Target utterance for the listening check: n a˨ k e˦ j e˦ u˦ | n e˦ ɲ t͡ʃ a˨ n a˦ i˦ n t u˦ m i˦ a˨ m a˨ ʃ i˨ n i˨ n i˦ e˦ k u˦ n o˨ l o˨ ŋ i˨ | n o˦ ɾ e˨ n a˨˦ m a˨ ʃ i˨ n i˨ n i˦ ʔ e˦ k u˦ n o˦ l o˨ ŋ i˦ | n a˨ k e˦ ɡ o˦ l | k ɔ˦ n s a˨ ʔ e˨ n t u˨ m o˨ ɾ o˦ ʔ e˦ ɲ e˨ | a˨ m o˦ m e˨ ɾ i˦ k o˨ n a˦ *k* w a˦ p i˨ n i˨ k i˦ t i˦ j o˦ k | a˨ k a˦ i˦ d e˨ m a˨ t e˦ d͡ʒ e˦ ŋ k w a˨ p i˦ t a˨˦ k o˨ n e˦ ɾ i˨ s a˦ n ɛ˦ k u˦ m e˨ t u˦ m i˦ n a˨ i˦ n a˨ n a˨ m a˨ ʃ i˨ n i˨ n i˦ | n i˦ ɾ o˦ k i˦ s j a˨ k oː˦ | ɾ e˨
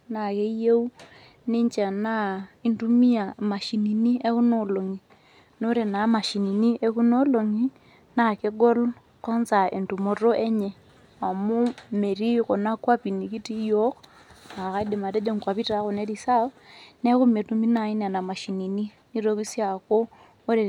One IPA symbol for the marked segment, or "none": k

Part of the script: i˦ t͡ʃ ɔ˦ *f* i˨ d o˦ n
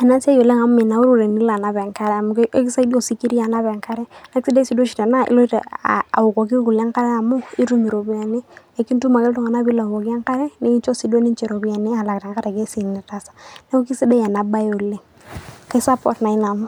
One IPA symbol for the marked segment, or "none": s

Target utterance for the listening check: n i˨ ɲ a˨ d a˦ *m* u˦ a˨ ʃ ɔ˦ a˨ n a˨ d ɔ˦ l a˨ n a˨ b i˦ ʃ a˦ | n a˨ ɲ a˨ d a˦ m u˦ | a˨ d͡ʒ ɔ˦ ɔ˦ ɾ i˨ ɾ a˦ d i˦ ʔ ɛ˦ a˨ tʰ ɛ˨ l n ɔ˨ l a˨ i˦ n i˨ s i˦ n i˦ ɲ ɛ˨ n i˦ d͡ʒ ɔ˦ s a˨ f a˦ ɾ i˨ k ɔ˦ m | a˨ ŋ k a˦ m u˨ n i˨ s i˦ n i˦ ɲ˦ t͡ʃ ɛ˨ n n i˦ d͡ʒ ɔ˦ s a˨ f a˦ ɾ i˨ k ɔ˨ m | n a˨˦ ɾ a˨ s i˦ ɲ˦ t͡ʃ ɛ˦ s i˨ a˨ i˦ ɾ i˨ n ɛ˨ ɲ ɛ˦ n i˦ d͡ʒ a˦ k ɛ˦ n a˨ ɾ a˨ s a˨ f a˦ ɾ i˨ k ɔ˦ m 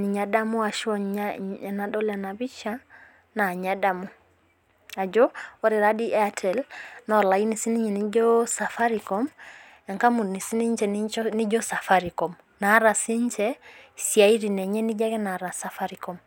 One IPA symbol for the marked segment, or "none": m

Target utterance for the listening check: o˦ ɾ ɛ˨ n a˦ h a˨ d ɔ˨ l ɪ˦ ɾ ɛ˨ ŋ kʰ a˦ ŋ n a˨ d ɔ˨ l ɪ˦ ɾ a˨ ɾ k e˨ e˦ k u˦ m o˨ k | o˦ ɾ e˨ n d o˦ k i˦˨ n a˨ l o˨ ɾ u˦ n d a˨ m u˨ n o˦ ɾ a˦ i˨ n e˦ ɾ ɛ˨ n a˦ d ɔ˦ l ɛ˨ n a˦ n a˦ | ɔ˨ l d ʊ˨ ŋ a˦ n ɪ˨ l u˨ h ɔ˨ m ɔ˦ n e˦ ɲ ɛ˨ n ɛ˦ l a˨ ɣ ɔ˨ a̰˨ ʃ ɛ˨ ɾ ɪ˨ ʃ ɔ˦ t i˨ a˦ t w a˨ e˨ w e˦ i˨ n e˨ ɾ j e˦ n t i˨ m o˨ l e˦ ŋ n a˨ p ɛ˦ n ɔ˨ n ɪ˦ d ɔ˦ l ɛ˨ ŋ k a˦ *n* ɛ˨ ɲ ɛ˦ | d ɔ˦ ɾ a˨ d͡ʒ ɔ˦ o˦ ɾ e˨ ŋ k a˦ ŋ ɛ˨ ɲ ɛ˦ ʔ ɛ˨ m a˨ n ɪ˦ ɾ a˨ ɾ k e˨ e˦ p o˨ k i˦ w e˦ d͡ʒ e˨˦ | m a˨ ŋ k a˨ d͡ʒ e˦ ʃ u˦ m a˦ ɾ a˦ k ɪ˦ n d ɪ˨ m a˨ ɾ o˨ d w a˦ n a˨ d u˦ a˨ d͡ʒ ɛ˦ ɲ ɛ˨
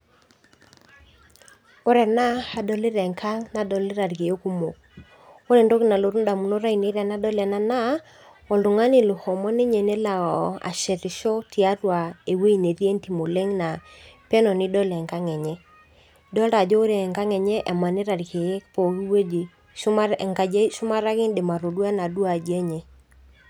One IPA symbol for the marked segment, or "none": ŋ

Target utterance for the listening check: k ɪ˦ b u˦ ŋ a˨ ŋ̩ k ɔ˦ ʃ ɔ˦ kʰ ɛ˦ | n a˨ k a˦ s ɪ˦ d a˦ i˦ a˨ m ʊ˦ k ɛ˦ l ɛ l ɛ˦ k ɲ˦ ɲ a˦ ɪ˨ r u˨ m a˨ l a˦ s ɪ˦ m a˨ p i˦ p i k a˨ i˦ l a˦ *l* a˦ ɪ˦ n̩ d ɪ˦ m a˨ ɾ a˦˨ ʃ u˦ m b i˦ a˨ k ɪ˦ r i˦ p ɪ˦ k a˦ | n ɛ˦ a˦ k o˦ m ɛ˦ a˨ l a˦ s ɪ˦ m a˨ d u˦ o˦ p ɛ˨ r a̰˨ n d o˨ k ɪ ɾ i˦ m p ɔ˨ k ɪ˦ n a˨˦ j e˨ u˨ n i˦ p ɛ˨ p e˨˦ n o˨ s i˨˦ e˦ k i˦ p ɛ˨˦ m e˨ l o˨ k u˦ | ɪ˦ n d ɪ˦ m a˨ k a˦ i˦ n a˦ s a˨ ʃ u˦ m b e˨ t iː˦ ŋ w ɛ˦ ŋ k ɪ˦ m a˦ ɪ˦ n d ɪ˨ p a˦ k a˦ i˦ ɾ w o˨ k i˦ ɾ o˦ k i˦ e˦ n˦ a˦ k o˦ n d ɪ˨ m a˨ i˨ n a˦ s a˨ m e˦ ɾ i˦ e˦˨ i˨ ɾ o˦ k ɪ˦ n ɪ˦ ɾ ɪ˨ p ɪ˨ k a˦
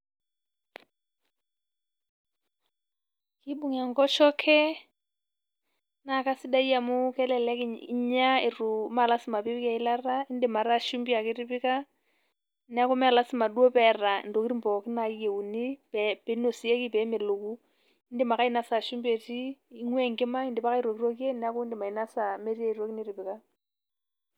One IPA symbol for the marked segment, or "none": r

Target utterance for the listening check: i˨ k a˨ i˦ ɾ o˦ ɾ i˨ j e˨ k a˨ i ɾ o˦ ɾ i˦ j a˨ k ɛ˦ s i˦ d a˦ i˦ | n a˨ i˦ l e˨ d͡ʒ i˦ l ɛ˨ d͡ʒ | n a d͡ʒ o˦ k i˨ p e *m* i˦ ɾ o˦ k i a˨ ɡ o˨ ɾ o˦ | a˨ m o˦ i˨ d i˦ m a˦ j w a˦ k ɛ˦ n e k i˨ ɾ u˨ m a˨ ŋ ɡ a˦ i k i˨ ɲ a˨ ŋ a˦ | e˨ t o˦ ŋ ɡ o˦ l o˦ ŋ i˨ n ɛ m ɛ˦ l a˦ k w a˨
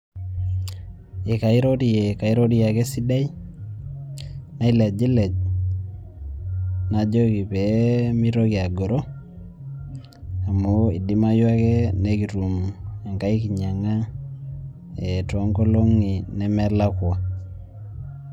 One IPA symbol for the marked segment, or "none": m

